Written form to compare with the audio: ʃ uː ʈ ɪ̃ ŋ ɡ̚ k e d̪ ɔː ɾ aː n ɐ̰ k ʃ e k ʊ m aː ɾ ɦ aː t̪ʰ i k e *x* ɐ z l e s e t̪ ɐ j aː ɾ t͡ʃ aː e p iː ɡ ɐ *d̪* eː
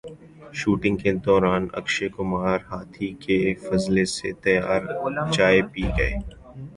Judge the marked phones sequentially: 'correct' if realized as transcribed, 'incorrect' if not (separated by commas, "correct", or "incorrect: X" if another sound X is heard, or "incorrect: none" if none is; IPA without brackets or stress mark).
incorrect: f, incorrect: none